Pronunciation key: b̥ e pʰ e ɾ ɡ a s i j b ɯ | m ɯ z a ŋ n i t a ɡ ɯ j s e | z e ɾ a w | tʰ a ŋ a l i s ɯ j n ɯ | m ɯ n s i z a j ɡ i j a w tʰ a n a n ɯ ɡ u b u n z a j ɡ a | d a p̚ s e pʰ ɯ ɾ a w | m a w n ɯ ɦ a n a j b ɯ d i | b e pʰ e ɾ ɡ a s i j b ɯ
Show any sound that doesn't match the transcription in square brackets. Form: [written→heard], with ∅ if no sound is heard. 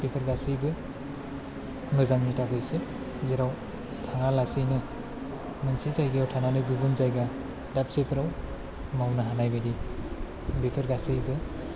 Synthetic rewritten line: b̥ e pʰ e ɾ ɡ a s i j b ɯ | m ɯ z a ŋ n i t a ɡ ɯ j s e | z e ɾ a w | tʰ a ŋ a l [i→a] s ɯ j n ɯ | m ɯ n s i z a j ɡ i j a w tʰ a n a n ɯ ɡ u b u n z a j ɡ a | d a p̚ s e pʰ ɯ ɾ a w | m a w n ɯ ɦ a n a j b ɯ d i | b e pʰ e ɾ ɡ a s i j b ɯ